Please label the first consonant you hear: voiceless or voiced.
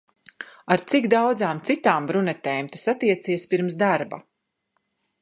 voiced